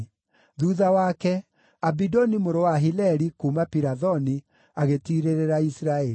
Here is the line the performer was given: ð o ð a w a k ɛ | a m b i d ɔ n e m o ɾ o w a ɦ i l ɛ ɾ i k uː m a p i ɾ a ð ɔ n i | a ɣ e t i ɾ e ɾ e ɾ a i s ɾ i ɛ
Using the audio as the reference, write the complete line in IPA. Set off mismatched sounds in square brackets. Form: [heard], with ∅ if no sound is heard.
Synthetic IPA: ð [u] ð a w a k ɛ | a [∅] b i d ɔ n [i] m o ɾ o w a ɦ i l ɛ ɾ i k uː m a p i ɾ a ð ɔ n i | a ɣ e t i ɾ e ɾ e ɾ a i s ɾ [a] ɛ